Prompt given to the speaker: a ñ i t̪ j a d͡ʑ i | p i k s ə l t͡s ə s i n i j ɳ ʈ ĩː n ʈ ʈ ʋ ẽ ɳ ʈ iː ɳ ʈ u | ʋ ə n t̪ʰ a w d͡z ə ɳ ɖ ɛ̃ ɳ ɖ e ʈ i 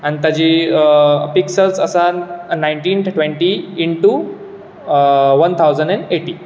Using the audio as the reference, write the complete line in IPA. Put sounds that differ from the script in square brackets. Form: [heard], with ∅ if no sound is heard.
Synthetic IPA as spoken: a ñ i t̪ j a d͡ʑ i | p i k s ə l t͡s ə s [a] n [a] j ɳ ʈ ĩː n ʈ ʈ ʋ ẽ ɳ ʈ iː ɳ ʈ u | ʋ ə n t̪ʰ a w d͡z ə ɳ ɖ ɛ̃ ɳ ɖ e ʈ i